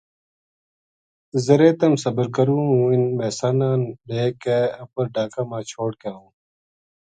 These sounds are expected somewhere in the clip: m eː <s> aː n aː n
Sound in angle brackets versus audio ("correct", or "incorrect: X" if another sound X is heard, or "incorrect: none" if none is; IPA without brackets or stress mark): correct